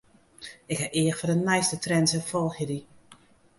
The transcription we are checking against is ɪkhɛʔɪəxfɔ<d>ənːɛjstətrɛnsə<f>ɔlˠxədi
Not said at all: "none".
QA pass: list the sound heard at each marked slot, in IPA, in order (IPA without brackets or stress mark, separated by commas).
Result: d, f